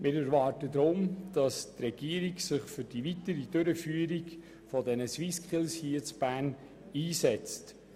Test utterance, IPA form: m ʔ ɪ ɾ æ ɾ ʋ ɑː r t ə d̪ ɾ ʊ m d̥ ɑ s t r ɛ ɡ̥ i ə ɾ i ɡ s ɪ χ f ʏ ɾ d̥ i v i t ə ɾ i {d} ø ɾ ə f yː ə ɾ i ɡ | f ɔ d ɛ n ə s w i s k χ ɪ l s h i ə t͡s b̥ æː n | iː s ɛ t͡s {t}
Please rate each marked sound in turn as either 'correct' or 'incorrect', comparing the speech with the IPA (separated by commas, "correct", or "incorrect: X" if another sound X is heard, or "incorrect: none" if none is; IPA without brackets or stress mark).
correct, correct